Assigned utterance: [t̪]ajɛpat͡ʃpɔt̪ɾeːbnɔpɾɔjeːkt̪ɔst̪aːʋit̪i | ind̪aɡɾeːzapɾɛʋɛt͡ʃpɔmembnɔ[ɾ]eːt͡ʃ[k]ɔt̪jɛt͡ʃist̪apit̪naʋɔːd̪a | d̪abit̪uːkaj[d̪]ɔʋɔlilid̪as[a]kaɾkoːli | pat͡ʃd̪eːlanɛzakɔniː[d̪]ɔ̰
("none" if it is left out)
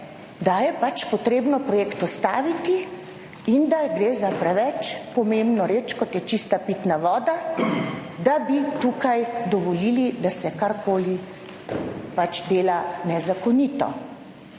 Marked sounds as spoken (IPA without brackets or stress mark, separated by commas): d̪, ɾ, k, d̪, ɛ, t̪